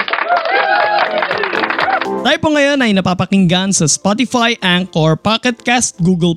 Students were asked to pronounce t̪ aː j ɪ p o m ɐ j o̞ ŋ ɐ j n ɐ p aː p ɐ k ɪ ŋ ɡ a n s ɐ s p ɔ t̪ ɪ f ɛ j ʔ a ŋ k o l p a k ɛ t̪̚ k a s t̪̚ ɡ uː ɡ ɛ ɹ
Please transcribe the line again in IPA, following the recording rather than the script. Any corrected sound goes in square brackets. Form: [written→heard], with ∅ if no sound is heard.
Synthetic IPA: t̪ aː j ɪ p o [m→ŋ] ɐ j o̞ [ŋ→n] ɐ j n ɐ p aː p ɐ k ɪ ŋ ɡ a n s ɐ s p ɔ t̪ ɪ f [ɛ→a] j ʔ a ŋ k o [l→ɹ] p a k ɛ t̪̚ k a s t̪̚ ɡ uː ɡ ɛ [ɹ→l]